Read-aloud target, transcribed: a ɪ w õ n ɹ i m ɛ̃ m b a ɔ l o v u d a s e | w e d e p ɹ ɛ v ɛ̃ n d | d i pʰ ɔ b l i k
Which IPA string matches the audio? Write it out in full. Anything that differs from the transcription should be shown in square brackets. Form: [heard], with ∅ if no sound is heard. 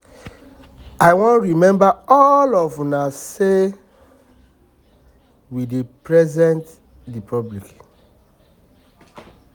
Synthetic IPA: a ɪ w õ n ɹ i m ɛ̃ m b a ɔ l [ɔ] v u [n] a s e | w [i] d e p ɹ ɛ [z] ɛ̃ n [t] | d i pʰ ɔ b l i k